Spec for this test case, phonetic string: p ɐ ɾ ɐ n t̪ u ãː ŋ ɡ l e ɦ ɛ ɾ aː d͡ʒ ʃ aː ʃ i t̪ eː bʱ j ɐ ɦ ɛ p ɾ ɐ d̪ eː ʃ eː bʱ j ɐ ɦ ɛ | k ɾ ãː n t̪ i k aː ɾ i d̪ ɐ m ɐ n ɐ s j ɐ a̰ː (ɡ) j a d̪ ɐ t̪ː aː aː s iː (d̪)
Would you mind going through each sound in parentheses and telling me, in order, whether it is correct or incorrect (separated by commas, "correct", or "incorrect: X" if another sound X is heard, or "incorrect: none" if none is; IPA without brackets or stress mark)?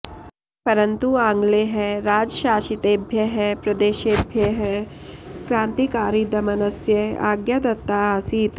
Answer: correct, incorrect: t̪